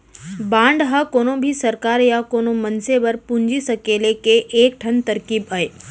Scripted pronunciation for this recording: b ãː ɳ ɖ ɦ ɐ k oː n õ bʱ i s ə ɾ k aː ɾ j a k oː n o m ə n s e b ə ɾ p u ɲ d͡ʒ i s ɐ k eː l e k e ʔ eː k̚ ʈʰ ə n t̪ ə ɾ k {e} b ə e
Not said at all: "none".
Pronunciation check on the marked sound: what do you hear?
i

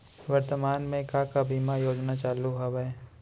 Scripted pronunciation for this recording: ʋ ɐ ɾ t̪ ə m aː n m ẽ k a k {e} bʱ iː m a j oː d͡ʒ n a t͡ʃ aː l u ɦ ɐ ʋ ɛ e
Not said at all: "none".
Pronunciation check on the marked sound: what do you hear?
a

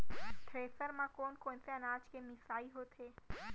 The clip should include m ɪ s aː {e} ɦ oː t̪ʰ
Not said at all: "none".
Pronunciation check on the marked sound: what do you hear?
i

